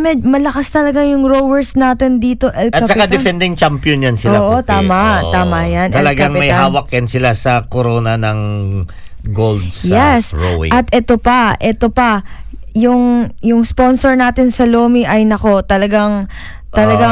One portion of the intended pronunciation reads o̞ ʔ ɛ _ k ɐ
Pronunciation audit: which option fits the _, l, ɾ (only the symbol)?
l